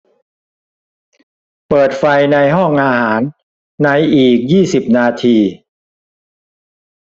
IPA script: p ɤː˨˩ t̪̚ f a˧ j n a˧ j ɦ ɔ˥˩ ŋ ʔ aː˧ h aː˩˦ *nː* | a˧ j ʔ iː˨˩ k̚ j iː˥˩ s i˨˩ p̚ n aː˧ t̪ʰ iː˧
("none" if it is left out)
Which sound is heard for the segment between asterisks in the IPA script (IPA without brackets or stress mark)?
nː